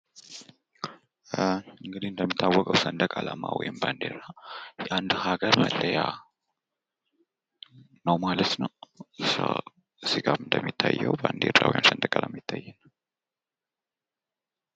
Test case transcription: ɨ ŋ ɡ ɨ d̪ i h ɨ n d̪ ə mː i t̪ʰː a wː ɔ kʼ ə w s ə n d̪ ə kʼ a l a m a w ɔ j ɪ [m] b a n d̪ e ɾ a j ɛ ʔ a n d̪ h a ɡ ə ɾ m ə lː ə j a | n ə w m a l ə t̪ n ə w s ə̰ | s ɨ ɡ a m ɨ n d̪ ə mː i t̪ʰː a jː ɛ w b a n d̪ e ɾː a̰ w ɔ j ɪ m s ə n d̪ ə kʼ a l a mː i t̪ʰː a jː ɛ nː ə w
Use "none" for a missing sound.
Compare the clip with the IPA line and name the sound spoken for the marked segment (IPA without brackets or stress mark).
m